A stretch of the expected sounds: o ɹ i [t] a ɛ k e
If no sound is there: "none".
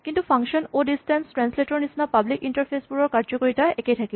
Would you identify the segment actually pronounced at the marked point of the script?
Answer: t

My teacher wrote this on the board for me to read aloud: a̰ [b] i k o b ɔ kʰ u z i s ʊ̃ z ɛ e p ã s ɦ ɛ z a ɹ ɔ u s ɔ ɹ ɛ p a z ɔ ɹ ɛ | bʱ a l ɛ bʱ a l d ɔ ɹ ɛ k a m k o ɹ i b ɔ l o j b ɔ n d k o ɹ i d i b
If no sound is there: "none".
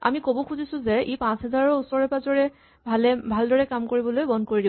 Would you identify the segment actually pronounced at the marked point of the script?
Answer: m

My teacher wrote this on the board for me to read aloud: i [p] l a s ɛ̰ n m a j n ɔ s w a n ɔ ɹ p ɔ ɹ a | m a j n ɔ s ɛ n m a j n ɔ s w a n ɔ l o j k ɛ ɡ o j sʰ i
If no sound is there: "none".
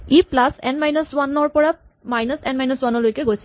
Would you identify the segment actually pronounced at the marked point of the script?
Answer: p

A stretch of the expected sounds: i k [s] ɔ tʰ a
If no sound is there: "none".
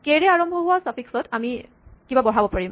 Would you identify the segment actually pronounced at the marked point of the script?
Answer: s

